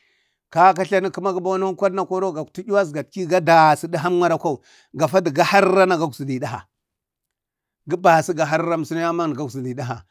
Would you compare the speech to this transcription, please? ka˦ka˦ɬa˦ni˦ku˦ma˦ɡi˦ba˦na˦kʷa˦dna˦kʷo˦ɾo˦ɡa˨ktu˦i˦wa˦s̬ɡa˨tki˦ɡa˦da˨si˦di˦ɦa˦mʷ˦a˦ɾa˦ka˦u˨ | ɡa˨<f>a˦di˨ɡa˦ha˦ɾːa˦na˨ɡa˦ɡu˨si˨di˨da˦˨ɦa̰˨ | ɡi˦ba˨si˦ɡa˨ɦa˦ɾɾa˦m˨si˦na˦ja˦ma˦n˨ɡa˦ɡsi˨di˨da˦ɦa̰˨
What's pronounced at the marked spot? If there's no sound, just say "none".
f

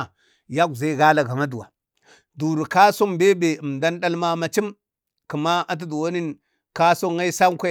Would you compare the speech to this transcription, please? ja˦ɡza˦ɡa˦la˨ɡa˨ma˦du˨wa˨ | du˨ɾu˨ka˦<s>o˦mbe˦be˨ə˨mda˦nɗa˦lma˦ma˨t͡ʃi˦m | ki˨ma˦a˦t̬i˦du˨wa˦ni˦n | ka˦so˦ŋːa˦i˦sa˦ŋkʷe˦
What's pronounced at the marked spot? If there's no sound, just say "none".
s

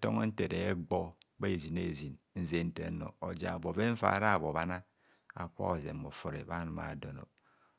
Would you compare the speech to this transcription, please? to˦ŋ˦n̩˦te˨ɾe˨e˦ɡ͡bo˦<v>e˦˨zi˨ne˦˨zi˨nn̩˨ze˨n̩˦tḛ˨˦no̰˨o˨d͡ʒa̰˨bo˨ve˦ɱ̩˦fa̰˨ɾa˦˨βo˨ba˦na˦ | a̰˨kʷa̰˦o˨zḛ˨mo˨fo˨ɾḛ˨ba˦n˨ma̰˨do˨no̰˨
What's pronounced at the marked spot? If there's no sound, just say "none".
b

